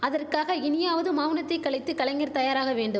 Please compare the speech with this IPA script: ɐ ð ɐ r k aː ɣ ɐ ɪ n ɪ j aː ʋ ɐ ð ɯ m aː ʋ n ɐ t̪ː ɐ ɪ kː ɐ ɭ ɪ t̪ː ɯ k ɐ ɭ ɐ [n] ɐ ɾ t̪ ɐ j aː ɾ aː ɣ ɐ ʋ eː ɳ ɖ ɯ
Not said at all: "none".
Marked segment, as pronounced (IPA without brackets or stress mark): ŋ